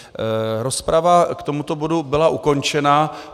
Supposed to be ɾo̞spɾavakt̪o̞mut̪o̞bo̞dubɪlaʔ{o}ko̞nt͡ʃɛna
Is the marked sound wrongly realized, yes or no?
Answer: yes